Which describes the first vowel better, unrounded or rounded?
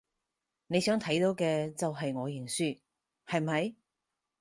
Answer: unrounded